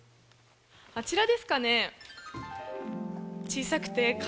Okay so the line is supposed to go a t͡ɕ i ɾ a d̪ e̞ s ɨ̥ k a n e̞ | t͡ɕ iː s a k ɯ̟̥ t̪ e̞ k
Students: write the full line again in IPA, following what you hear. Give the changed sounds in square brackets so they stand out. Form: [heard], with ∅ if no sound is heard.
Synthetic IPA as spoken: a t͡ɕ i ɾ a d̪ e̞ s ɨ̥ k a n e̞ | t͡ɕ iː s a k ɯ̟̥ t̪ e̞ k